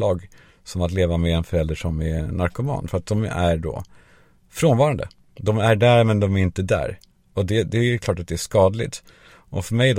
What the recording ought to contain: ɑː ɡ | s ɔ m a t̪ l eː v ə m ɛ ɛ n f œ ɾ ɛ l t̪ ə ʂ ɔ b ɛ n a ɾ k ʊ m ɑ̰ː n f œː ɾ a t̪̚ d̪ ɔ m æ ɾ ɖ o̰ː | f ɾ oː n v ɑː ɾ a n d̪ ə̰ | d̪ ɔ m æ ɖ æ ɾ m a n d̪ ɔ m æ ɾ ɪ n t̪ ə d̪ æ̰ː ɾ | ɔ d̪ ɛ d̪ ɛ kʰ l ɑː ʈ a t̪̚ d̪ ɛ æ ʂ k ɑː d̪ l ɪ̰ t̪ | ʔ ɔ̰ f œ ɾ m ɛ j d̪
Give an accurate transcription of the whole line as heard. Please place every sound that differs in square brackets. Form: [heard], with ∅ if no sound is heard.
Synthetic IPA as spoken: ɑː ɡ | s ɔ m a t̪ l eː v [a] m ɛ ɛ n f œ ɾ ɛ l [d̪] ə ʂ ɔ [m] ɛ n a ɾ k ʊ m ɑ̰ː n f [œ] ɾ a t̪̚ d̪ ɔ m æ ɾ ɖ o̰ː | f ɾ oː n v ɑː ɾ a n d̪ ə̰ | d̪ ɔ m æ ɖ æ ɾ m [ɛ] n d̪ ɔ m æ ɾ ɪ n t̪ ə d̪ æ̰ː ɾ | ɔ d̪ ɛ d̪ ɛ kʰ l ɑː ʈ a t̪̚ d̪ ɛ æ ʂ k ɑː d̪ l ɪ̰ t̪ | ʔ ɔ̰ f œ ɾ m ɛ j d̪